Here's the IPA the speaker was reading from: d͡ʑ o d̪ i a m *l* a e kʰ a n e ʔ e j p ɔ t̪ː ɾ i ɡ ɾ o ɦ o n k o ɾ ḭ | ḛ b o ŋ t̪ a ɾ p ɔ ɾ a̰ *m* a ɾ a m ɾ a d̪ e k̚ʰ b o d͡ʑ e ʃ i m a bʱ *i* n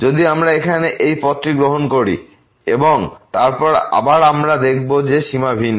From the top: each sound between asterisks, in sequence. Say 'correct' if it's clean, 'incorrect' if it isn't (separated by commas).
incorrect, incorrect, correct